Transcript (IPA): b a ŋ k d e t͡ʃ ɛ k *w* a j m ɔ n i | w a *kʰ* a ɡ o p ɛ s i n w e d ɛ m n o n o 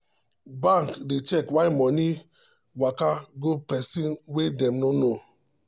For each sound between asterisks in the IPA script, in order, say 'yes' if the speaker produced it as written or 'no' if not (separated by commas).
yes, no